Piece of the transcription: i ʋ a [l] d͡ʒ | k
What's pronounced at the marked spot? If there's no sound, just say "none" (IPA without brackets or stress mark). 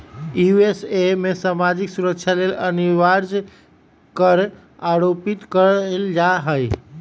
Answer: ɾ